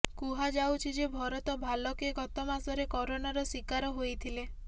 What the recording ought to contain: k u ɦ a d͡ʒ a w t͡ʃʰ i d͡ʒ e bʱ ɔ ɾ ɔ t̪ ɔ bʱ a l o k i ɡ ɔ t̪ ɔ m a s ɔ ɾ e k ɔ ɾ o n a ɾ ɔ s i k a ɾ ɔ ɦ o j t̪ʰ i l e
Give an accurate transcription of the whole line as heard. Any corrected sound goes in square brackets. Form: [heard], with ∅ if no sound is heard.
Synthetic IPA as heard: k u ɦ a d͡ʒ a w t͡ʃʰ i d͡ʒ e bʱ ɔ ɾ ɔ t̪ ɔ bʱ a l [ɔ] k [e] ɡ ɔ t̪ ɔ m a s ɔ ɾ e k ɔ ɾ o n a ɾ ɔ s i k a ɾ ɔ ɦ o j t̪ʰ i l e

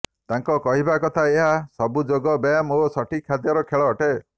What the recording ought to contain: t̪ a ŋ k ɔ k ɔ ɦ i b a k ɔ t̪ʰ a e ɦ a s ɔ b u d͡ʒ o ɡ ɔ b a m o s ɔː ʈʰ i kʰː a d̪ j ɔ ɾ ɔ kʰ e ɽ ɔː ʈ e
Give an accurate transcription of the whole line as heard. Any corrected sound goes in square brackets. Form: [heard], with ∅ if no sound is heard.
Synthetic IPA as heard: t̪ a ŋ k ɔ k ɔ ɦ i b a k ɔ t̪ʰ a e ɦ a s ɔ b u d͡ʒ o ɡ ɔ b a m o s [ɔ] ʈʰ i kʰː a d̪ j ɔ ɾ ɔ kʰ e [ɭ] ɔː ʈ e

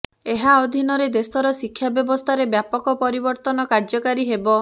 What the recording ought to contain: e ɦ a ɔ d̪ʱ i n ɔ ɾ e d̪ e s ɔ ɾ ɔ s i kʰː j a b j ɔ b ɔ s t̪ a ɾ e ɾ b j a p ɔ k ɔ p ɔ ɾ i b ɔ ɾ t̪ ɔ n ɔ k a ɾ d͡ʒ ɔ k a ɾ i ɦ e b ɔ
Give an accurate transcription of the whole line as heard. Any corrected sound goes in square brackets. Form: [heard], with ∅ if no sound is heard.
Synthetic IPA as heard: e ɦ a ɔ d̪ʱ i n ɔ ɾ e d̪ e s ɔ ɾ ɔ s i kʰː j a b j ɔ b ɔ s [t̪ʰ] a ɾ e [∅] b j a p ɔ k ɔ p ɔ ɾ i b ɔ ɾ t̪ ɔ n ɔ k a ɾ d͡ʒ ɔ k a ɾ i ɦ e b ɔ

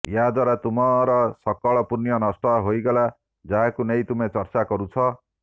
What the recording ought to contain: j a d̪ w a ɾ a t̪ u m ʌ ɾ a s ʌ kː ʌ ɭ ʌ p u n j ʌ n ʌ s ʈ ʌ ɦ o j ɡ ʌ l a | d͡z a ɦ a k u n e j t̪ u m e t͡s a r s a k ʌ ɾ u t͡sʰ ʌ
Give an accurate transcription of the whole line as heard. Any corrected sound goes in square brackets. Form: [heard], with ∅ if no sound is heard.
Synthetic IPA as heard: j a d̪ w a ɾ a t̪ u m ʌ ɾ [ʌ] s ʌ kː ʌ ɭ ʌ p u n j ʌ n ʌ s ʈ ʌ ɦ o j ɡ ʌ l a | d͡z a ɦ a k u n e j t̪ u m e t͡s [ʌ] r [t͡s] a k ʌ ɾ u t͡sʰ ʌ

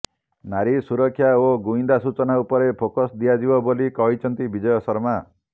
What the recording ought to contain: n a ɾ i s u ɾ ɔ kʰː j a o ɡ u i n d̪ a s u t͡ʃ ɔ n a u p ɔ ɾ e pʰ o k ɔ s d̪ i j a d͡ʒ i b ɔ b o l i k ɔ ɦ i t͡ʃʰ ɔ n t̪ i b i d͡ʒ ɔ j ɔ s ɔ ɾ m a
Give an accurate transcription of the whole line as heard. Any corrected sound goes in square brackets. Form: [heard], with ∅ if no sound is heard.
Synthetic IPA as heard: n a ɾ i s u ɾ ɔ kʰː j a o ɡ u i n d̪ a s u t͡ʃ ɔ n a u p ɔ ɾ e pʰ o k ɔ s d̪ i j a d͡ʒ i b ɔ b o l i k ɔ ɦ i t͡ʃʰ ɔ n t̪ i b i d͡ʒ ɔ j ɔ s ɔ ɾ m a

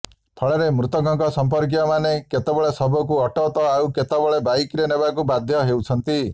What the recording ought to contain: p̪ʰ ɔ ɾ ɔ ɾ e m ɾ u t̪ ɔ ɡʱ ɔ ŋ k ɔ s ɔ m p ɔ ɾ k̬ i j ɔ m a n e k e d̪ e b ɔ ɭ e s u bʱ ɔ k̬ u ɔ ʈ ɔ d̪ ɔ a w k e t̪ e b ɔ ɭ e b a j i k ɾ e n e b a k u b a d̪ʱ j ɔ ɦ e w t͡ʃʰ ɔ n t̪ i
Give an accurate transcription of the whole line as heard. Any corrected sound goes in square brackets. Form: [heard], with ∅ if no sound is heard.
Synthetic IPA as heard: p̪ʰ ɔ [ɭ] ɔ ɾ e m ɾ u t̪ ɔ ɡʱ ɔ ŋ k ɔ s ɔ m p ɔ ɾ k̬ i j ɔ m a n e k e [t̪] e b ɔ ɭ e s [ɔ] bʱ ɔ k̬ u ɔ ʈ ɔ [t̪] ɔ a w k e t̪ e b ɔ ɭ e b a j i k ɾ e n e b a k u b a d̪ʱ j ɔ ɦ e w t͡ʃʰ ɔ n t̪ i

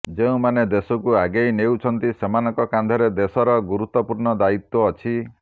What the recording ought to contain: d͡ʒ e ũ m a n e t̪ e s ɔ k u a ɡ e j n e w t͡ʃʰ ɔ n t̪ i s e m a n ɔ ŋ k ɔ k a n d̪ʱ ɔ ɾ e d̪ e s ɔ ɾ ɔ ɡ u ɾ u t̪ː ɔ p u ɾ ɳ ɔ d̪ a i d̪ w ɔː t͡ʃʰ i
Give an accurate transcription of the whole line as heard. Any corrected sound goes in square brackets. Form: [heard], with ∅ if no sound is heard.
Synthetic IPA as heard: d͡ʒ e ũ m a n e [d̪] e s ɔ k u a ɡ e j n e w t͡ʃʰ ɔ n t̪ i s e m a n ɔ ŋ k ɔ k a n d̪ʱ ɔ ɾ e d̪ e s ɔ ɾ ɔ ɡ u ɾ u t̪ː ɔ p u ɾ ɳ ɔ d̪ a i [t̪] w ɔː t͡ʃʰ i

